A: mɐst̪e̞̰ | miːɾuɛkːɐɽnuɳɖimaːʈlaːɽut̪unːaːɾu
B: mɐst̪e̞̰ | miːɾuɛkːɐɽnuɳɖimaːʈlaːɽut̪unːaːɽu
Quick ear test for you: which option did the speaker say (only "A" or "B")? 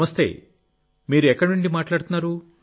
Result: A